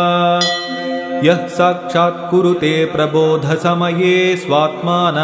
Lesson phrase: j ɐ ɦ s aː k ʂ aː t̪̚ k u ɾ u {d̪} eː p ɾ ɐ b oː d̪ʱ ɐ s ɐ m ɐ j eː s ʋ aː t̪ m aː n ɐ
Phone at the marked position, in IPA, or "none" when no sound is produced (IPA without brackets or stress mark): t̪